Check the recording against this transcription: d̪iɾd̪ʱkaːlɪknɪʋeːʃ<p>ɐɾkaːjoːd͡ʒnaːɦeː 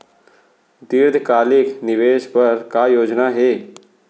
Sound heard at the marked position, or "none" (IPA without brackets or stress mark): p